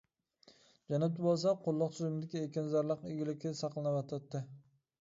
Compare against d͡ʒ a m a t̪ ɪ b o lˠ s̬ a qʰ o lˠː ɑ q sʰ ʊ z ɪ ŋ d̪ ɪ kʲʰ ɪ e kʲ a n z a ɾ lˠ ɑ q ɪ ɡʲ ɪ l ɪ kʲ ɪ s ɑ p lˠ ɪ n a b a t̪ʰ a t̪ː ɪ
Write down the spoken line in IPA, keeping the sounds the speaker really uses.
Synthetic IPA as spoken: d͡ʒ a n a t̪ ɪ b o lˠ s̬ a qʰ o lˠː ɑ q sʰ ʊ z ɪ m d̪ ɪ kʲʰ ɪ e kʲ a n z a ɾ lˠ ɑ q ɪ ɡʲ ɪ l ɪ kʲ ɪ s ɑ q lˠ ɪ n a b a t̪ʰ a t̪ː ɪ